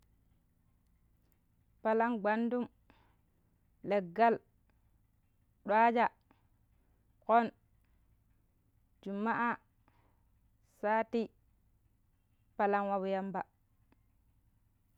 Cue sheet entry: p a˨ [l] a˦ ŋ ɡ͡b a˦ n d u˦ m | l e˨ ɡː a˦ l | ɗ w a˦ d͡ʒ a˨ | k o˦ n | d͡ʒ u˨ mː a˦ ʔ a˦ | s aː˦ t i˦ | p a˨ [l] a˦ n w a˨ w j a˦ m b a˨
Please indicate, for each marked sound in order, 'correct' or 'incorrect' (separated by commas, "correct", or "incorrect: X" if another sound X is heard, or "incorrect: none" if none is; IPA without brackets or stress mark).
correct, correct